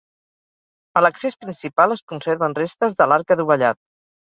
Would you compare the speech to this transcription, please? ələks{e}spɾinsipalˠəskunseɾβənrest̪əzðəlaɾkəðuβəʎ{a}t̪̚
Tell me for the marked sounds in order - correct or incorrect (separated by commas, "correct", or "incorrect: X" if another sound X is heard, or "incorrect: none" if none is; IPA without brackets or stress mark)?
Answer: correct, correct